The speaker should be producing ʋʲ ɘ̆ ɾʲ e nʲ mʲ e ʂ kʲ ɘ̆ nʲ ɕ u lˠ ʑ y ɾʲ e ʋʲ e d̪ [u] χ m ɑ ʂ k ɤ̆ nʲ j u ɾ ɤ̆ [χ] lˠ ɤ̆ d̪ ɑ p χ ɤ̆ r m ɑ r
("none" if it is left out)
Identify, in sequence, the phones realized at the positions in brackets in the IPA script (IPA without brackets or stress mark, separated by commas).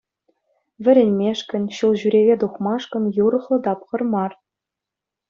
u, χ